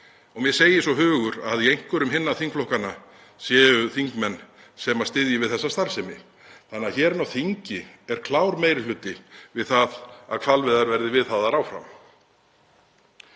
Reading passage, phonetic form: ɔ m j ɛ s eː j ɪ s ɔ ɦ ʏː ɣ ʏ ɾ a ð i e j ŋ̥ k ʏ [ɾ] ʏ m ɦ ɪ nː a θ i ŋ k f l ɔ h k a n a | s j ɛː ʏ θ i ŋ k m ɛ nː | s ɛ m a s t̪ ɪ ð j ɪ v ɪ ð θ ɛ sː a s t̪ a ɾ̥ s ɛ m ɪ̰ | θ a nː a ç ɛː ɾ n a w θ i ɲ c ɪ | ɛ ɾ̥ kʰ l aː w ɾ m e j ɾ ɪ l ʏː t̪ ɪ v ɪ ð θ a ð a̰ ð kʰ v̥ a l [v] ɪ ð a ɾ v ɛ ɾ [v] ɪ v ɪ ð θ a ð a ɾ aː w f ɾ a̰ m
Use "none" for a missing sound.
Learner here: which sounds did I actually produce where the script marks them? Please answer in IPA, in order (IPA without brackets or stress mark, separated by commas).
ɾ, v, ð